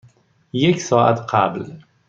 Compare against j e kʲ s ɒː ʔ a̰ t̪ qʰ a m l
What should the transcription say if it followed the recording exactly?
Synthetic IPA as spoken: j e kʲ s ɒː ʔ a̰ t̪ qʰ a b l